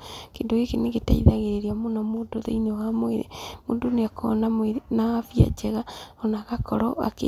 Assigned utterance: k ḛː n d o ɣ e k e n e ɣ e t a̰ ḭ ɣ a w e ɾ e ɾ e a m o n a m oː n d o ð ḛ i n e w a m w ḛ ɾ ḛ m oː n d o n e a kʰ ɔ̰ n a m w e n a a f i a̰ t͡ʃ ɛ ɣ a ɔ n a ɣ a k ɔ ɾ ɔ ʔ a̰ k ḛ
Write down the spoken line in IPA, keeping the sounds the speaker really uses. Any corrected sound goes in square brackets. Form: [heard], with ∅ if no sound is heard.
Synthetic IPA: k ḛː n d o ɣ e k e n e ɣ e t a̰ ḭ [ð] a [ɣ] e ɾ e ɾ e a m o n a m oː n d o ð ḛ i n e w a m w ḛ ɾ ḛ m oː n d o n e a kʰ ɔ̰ n a m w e n a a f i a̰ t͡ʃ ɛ ɣ a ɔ n a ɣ a k ɔ ɾ ɔ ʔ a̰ k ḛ